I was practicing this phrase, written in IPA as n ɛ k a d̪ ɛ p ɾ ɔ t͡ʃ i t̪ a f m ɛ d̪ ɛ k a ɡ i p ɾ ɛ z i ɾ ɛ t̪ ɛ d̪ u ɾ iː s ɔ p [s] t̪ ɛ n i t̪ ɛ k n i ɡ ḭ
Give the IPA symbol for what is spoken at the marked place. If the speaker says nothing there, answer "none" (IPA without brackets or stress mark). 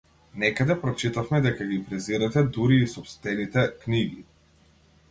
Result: s